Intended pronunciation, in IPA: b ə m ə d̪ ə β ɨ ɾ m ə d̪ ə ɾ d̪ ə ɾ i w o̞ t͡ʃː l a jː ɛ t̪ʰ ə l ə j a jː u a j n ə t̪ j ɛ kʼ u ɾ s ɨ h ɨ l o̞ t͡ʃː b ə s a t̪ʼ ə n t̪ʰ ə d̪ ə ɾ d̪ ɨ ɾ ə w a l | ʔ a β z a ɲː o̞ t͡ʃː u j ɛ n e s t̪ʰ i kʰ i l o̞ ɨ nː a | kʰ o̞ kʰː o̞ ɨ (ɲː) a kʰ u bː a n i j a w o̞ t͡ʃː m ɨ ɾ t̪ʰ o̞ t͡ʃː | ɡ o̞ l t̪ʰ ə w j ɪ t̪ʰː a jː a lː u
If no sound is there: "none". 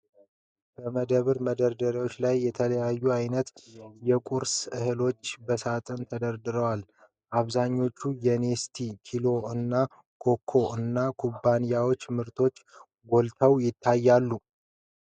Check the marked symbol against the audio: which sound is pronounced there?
nː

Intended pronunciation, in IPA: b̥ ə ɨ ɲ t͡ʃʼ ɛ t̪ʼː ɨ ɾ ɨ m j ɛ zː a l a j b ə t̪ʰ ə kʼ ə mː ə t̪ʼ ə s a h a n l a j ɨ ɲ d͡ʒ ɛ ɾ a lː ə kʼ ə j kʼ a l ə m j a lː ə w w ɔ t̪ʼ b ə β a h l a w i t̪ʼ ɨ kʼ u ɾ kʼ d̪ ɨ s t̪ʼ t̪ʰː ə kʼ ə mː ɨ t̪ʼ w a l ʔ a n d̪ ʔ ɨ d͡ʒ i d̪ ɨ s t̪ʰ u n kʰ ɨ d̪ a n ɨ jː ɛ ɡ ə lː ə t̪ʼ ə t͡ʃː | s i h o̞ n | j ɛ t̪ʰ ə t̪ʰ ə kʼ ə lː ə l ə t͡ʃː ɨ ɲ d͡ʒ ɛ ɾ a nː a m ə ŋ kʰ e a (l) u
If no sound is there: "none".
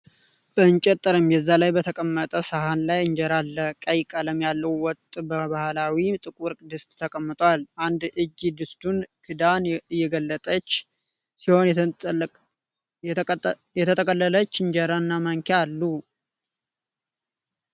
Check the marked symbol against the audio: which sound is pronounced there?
lː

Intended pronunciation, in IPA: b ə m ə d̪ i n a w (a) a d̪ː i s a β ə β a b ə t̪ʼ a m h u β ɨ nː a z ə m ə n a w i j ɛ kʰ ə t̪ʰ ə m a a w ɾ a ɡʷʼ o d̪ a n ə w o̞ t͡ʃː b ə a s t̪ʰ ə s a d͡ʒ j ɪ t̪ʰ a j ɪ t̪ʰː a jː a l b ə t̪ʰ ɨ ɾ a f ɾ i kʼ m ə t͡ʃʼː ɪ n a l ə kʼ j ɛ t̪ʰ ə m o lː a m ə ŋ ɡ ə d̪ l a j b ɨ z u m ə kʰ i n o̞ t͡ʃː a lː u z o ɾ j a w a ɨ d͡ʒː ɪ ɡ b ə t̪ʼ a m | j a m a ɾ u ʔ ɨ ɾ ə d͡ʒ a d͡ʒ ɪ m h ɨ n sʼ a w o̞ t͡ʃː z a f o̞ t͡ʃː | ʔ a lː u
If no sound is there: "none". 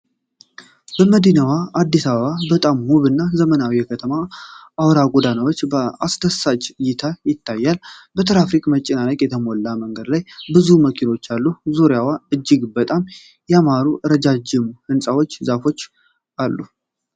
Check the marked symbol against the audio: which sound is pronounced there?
a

